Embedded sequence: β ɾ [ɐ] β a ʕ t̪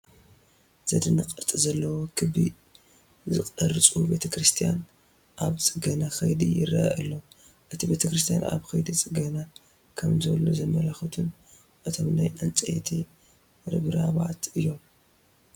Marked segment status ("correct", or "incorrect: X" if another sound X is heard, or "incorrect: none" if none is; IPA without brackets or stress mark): incorrect: a